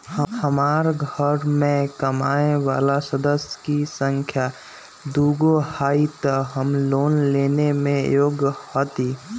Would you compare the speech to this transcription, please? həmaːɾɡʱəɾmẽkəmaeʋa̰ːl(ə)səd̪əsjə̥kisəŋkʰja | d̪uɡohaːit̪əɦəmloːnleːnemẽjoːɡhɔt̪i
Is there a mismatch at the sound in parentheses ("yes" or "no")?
yes